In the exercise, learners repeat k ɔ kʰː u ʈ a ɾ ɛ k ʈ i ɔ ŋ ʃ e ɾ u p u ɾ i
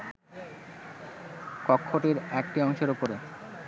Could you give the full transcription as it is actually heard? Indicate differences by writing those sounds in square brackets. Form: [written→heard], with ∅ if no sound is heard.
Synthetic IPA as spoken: k ɔ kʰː [u→o] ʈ [a→i] ɾ ɛ k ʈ i ɔ ŋ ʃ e ɾ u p [u→o] ɾ [i→e]